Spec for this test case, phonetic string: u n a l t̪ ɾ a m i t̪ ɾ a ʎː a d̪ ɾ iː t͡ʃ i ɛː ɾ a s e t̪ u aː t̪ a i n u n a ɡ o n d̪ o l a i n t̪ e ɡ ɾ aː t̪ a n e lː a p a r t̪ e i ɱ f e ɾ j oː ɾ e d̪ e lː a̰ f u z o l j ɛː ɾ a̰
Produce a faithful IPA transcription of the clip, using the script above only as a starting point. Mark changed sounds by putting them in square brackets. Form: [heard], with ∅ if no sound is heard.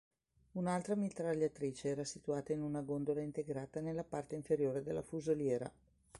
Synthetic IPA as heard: u n a l t̪ ɾ a m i t̪ ɾ a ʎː a [t̪] ɾ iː t͡ʃ [e] ɛː ɾ a s [i] t̪ u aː t̪ a i n u n a ɡ o n d̪ o l a i n t̪ e ɡ ɾ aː t̪ a n e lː a p a r t̪ e i ɱ f e ɾ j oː ɾ e d̪ e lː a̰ f u z o l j ɛː ɾ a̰

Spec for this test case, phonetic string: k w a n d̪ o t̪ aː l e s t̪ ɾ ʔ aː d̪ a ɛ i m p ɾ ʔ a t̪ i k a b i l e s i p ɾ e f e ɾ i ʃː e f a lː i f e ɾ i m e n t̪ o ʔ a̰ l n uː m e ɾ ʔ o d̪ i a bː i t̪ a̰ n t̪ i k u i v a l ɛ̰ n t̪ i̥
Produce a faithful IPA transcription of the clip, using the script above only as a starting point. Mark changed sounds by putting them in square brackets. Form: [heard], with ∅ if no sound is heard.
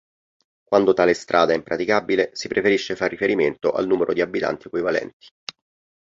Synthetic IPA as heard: k w a n d̪ o t̪ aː l e s t̪ ɾ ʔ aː d̪ a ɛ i m p ɾ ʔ a t̪ i k a b i l e s i p ɾ e f e ɾ i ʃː e f a [rː] i f e ɾ i m e n t̪ o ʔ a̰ l n uː m e ɾ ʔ o d̪ i a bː i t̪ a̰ n t̪ i k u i v a l ɛ̰ n t̪ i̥

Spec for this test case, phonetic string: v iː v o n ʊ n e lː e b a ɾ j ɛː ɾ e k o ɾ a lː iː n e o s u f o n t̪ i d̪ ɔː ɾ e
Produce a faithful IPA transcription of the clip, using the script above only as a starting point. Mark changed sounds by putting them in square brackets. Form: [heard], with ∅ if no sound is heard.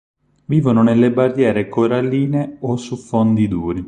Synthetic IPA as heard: v iː v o n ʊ n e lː e b a [r] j ɛː ɾ e k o ɾ a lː iː n e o s u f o n [d̪] i d̪ [uː] ɾ [i]

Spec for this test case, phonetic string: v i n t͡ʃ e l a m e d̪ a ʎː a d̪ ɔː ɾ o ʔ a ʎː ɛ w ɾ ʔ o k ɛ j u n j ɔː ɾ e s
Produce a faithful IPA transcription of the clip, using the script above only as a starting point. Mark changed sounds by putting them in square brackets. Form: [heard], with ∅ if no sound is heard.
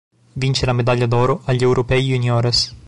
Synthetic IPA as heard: v i n t͡ʃ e l a m e d̪ a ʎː a d̪ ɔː ɾ o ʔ a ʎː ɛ w ɾ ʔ o [p] ɛ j u n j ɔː ɾ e s

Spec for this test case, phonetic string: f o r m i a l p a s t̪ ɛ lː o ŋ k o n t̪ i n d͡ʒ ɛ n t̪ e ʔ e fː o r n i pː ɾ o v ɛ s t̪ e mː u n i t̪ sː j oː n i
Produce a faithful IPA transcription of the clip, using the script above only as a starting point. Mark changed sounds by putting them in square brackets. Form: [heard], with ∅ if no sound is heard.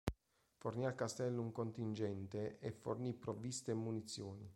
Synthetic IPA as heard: f o r [n] i a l [k] a s t̪ ɛ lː [u] ŋ k o n t̪ i n d͡ʒ ɛ n t̪ e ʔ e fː o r n i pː ɾ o v [i] s t̪ e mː u n i t̪ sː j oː n i

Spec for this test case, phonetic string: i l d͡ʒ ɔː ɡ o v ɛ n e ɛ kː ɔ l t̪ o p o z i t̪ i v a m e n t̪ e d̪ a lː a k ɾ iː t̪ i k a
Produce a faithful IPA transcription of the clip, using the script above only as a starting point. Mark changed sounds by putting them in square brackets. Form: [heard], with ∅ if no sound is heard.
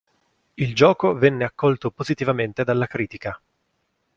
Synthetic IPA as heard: i l d͡ʒ ɔː [k] o v ɛ [nː] e [a] kː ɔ l t̪ o p o z i t̪ i v a m e n t̪ e d̪ a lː a k ɾ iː t̪ i k a

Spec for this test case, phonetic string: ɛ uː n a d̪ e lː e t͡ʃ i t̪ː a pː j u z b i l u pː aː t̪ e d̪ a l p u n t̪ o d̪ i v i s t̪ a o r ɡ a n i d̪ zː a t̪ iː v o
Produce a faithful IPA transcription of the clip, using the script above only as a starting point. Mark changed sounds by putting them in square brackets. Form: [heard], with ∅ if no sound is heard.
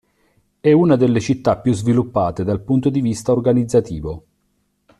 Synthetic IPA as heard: ɛ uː n a d̪ e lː e t͡ʃ i t̪ː a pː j u z [v] i l u pː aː t̪ e d̪ a l p u n t̪ o d̪ i v i s t̪ a o r ɡ a n i d̪ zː a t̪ iː v o

